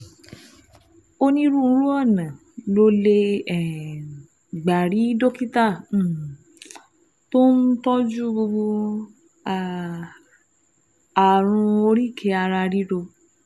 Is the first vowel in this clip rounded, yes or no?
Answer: yes